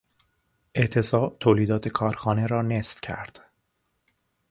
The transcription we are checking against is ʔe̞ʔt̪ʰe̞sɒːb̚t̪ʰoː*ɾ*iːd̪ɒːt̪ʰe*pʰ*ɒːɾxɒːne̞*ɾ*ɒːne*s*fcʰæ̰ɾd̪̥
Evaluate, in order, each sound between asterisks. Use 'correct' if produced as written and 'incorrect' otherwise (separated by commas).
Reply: incorrect, incorrect, correct, correct